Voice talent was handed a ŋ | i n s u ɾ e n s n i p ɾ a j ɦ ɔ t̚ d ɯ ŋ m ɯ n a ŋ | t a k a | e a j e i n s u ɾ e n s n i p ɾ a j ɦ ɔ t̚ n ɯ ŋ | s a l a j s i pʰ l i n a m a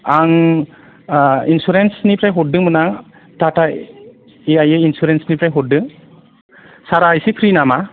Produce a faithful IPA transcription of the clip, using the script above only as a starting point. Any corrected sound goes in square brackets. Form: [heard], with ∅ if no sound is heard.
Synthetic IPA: a ŋ | i n s u ɾ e n s n i p ɾ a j ɦ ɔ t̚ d ɯ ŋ m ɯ n a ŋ | t a [t] a | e a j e i n s u ɾ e n s n i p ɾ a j ɦ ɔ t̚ [d] ɯ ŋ | s a [ɾ] a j s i pʰ [ɾ] i n a m a